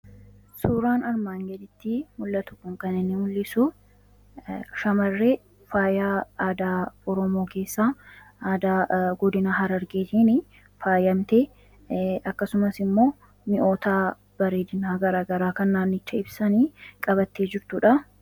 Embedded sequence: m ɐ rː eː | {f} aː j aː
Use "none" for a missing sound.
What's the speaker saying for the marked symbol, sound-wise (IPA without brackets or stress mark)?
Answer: f